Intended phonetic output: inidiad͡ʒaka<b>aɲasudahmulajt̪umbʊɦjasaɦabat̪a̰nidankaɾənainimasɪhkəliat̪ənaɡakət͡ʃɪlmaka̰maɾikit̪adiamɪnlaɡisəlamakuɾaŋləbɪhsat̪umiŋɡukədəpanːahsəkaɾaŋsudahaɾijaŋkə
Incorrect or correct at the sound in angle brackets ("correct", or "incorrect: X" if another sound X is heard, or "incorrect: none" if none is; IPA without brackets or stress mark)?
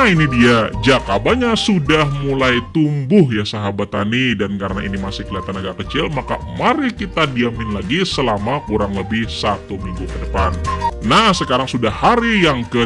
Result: correct